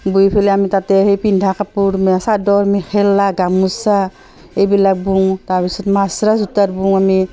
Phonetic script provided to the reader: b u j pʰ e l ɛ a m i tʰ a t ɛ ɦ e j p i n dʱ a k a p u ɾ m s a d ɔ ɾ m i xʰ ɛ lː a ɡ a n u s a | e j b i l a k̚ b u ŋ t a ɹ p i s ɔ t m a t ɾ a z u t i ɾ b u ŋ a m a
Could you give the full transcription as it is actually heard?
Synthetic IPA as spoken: b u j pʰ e l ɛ a m i t a t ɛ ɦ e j p i n dʱ a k a p u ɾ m s a d ɔ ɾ m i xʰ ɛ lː a ɡ a m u s a | e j b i l a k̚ b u ŋ t a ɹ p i s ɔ t m a s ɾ a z u t a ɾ b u ŋ a m i

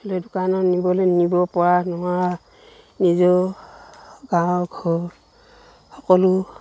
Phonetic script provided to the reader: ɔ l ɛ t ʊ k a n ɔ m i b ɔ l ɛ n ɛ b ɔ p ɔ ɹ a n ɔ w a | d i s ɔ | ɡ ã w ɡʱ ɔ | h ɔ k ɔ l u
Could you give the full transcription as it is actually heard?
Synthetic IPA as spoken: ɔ l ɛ d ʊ k a n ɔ n i b ɔ l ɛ n i b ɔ p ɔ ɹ a n ɔ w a | n i z ɔ | ɡ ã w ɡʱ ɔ | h ɔ k ɔ l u

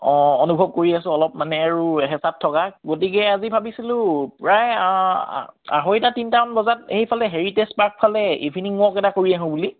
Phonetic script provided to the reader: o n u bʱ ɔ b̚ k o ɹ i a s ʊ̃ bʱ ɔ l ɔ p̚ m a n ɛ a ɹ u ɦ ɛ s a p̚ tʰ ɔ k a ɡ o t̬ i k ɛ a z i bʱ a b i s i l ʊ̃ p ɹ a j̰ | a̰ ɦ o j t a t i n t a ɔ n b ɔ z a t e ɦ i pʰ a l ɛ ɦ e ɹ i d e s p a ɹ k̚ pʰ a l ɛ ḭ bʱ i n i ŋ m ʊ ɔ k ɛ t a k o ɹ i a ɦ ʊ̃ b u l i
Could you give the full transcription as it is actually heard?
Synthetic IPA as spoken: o n u bʱ ɔ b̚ k o ɹ i a s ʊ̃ ɔ l ɔ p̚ m a n ɛ a ɹ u ɦ ɛ s a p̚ tʰ ɔ k a ɡ o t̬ i k ɛ a z i bʱ a b i s i l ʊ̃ p ɹ a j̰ | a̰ ɦ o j t a t i n t a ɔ n b ɔ z a t e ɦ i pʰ a l ɛ ɦ e ɹ i t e s p a ɹ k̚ pʰ a l ɛ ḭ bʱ i n i ŋ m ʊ ɔ k ɛ t a k o ɹ i a ɦ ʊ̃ b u l i

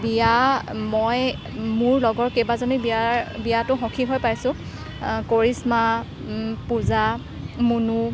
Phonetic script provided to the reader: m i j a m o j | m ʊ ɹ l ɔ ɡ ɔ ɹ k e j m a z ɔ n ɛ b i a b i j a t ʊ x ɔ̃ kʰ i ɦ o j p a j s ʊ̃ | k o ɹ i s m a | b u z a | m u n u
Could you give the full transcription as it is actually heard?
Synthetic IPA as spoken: b i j a m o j | m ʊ ɹ l ɔ ɡ ɔ ɹ k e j b a z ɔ n i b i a b i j a t ʊ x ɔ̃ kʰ i ɦ o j p a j s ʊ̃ | k o ɹ i s m a | p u z a | m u n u

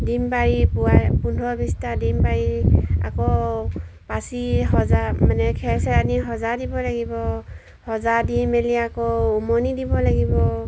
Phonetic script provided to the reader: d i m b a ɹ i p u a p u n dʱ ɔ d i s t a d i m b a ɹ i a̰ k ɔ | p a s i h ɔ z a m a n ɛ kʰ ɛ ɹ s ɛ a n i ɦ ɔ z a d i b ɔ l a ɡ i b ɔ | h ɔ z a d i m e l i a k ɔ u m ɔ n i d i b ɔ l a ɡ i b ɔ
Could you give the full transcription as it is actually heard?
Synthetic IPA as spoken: d i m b a ɹ i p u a p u n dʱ ɔ b i s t a d i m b a ɹ i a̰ k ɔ | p a s i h ɔ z a m a n ɛ kʰ ɛ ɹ s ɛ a n i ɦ ɔ z a d i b ɔ l a ɡ i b ɔ | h ɔ z a d i m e l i a k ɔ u m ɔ n i d i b ɔ l a ɡ i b ɔ

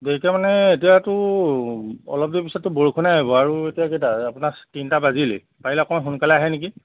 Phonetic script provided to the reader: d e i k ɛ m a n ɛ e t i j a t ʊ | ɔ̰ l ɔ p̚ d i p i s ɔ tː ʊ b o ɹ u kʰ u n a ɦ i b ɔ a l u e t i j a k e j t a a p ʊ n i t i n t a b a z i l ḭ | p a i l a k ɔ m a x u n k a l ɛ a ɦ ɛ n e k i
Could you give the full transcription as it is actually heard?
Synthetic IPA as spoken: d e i k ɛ m a n ɛ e t i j a t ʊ | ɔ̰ l ɔ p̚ d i p i s ɔ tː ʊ b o ɹ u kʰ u n a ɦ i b ɔ a ɹ u e t i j a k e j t a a p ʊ n a t i n t a b a z i l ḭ | p a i l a k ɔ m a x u n k a l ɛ a ɦ ɛ n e k i

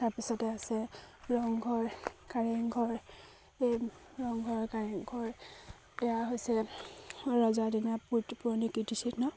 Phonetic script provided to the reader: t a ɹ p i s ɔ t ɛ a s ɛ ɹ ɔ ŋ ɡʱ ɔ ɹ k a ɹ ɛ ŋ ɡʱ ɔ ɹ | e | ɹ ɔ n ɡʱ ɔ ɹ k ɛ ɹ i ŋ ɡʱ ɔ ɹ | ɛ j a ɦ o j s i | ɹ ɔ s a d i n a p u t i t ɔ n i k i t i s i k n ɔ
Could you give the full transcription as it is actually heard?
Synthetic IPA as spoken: t a ɹ p i s ɔ t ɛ a s ɛ ɹ ɔ ŋ ɡʱ ɔ ɹ k a ɹ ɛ ŋ ɡʱ ɔ ɹ | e | ɹ ɔ ŋ ɡʱ ɔ ɹ k a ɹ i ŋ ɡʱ ɔ ɹ | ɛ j a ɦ o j s ɛ | ɹ ɔ z a d i n a p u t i p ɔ n i k i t i s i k n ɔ

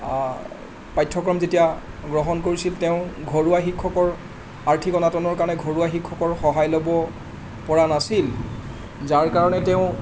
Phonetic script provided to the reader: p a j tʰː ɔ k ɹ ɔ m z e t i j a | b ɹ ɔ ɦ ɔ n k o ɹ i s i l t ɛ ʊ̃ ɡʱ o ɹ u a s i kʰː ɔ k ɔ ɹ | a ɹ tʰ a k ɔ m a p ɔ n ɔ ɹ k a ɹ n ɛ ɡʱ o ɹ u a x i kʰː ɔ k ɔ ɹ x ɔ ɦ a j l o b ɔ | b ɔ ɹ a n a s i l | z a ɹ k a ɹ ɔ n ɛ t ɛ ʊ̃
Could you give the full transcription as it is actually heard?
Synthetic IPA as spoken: p a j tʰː ɔ k ɹ ɔ m z e t i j a | ɡ ɹ ɔ ɦ ɔ n k o ɹ i s i l t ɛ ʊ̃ ɡʱ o ɹ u a x i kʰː ɔ k ɔ ɹ | a ɹ tʰ i k ɔ n a t ɔ n ɔ ɹ k a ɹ n ɛ ɡʱ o ɹ u a x i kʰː ɔ k ɔ ɹ x ɔ ɦ a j l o b ɔ | p ɔ ɹ a n a s i l | z a ɹ k a ɹ ɔ n ɛ t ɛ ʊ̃

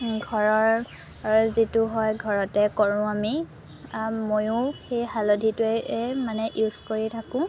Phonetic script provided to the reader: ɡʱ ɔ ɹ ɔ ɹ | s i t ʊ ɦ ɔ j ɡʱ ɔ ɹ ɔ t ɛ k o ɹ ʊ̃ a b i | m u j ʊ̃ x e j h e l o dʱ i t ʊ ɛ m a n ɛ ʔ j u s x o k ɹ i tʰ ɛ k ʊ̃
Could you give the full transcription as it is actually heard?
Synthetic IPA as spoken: ɡʱ ɔ ɹ ɔ ɹ | z i t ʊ ɦ ɔ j ɡʱ ɔ ɹ ɔ t ɛ k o ɹ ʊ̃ a m i | m o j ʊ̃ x e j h a l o dʱ i t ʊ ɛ m a n ɛ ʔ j u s k o ɹ i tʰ a k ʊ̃

